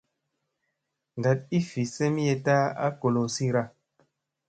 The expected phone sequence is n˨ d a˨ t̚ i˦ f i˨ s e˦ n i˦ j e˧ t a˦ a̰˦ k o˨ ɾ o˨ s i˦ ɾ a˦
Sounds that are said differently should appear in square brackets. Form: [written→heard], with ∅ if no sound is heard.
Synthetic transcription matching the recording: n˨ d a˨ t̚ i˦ f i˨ s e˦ [n→m] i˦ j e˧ t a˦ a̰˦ k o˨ [ɾ→l] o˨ s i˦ ɾ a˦